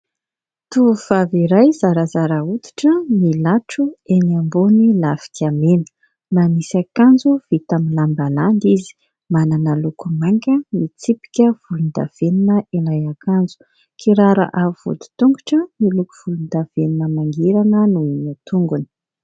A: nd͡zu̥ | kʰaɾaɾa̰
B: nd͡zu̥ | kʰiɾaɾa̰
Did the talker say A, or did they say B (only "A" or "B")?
B